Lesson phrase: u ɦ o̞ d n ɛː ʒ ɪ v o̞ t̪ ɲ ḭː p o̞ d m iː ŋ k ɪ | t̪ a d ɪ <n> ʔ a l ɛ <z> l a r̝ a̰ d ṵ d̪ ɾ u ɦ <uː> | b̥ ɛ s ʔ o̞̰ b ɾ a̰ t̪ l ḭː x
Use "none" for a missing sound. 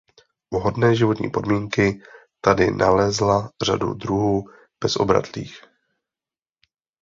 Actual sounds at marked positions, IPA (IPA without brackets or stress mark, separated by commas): n, z, uː